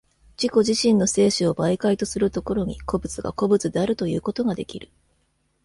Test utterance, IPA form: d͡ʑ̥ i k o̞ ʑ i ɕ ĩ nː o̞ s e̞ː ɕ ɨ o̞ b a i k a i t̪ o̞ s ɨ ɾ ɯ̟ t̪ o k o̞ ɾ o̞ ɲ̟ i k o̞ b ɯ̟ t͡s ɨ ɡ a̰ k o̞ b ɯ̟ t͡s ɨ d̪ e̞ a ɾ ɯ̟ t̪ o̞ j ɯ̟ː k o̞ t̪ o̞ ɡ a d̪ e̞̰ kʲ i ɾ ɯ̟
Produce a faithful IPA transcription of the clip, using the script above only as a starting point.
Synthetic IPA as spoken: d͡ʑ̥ i k o̞ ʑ i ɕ ĩ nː o̞ s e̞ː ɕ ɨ o̞ b a i k a i t̪ o̞ s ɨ ɾ ɯ̟ t̪ o k o̞ ɾ o̞ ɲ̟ i k o̞ b ɯ̟ t͡s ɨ ɡ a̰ k o̞ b ɯ̟ t͡s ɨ d̪ e̞ a ɾ ɯ̟ t̪ o̞ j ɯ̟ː k o̞ t̪ o̞ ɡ a d̪ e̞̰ kʲ i ɾ ɯ̟